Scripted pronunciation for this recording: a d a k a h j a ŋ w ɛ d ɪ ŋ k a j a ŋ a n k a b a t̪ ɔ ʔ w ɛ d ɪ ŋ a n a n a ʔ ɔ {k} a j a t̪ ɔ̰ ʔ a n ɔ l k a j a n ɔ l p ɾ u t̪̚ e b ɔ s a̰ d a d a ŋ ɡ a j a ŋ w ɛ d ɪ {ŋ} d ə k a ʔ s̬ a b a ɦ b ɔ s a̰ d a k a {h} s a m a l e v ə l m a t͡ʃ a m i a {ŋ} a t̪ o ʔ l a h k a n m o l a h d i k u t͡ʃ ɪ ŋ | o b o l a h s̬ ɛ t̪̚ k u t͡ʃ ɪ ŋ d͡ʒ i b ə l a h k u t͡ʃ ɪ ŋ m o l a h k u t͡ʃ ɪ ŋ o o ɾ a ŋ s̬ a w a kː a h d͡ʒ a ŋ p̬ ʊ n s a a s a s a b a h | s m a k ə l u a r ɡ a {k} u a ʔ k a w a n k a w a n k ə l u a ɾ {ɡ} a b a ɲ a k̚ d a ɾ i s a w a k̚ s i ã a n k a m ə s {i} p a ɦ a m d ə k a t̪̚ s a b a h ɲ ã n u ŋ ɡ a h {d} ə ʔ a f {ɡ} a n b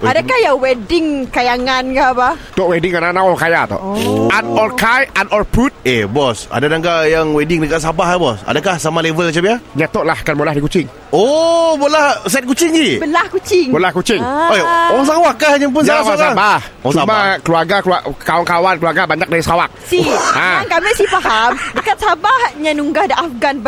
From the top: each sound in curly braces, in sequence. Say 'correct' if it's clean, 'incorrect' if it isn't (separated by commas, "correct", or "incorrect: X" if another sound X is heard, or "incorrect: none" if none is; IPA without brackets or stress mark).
correct, correct, correct, incorrect: ɲ, correct, correct, correct, correct, correct